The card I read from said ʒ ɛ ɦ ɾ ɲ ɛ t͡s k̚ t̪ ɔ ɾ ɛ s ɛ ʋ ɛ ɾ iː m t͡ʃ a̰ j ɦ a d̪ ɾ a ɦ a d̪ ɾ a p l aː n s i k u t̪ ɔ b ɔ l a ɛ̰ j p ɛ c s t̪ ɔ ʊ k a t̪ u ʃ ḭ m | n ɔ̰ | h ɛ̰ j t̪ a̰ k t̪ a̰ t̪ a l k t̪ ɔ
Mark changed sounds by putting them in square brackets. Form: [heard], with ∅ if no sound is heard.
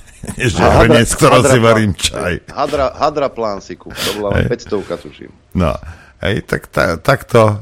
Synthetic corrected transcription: ʒ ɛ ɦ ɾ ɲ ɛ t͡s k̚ t̪ ɔ ɾ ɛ s [i] ʋ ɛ ɾ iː m t͡ʃ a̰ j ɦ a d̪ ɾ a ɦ a d̪ ɾ a p l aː n s i k u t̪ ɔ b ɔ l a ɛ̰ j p ɛ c s t̪ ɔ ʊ k a t̪ u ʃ ḭ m | n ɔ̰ | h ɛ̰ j t̪ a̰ k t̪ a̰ t̪ a [∅] k t̪ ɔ